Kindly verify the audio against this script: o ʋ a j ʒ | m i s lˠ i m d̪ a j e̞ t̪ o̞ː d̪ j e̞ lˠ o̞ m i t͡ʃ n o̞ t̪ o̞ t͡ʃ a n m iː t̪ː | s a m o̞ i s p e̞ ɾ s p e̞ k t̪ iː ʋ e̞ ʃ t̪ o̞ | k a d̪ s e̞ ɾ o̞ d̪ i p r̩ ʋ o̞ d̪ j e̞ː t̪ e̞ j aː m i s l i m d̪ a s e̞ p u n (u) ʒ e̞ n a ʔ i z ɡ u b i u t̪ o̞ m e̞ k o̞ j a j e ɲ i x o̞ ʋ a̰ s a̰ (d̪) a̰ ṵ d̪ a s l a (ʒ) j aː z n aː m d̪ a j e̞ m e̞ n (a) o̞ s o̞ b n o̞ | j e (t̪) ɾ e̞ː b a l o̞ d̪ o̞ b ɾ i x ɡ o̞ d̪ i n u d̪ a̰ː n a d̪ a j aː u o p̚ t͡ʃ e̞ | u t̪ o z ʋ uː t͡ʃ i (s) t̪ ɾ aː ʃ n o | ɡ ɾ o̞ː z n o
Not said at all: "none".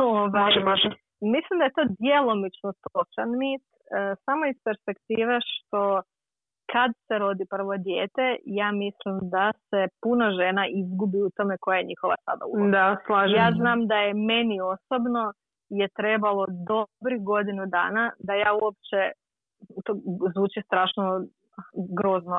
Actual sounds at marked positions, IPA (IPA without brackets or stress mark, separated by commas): o, d̪, ʒ, i, t̪, s